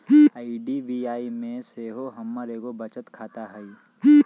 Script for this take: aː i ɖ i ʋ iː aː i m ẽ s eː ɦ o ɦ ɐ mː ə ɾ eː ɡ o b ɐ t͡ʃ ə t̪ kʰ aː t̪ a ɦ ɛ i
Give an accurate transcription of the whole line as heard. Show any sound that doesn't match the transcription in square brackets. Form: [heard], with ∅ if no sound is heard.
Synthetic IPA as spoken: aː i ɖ i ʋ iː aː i m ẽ s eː ɦ o ɦ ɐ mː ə ɾ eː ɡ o b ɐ t͡ʃ ə t̪ kʰ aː t̪ a ɦ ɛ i